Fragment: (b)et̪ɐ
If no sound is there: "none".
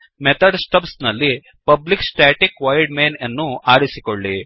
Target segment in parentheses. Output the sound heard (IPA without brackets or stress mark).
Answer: m